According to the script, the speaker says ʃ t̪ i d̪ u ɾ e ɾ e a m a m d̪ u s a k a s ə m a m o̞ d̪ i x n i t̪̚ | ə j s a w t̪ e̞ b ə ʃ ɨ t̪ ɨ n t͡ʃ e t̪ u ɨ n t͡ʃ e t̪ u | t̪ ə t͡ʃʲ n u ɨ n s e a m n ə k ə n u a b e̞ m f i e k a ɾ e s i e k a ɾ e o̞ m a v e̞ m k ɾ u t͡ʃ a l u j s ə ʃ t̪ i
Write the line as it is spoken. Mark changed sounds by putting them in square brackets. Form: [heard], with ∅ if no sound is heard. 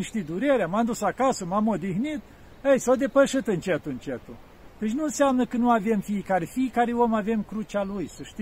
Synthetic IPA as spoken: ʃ t̪ i d̪ u ɾ e ɾ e a m a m d̪ u s a k a s ə m a m o̞ d̪ i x n i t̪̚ | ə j s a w [d̪] e̞ [p] ə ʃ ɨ t̪ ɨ n t͡ʃ e t̪ u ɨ n t͡ʃ e t̪ u | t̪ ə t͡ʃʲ n u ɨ n s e a m n ə k ə n u a [v] e̞ m f i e k a ɾ e [f] i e k a ɾ e o̞ m a v e̞ m k ɾ u t͡ʃ a l u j s ə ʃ t̪ i